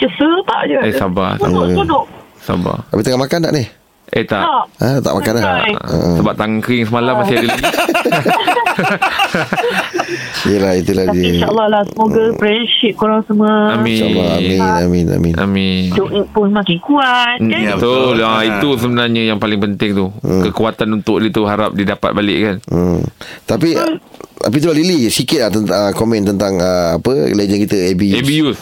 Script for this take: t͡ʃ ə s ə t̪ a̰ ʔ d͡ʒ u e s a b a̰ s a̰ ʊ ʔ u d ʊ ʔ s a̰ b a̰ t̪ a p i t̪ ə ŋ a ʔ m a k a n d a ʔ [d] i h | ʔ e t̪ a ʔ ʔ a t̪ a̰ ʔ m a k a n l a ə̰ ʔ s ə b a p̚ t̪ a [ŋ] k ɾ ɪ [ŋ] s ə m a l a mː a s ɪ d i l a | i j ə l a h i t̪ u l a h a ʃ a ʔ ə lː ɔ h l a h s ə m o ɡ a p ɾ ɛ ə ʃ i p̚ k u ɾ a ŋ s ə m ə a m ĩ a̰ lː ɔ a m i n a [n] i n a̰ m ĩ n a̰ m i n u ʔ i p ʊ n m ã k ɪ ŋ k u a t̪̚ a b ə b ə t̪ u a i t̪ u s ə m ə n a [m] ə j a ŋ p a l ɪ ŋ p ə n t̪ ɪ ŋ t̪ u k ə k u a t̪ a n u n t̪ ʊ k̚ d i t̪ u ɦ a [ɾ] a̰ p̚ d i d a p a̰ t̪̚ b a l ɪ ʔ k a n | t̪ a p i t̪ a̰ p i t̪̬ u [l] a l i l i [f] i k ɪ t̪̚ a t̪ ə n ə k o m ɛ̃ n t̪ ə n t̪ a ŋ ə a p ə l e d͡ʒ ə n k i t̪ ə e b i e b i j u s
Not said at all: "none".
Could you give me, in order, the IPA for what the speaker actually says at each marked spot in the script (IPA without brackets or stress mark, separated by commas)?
n, ŋ, ŋ, m, ɲ, ɾ, l, s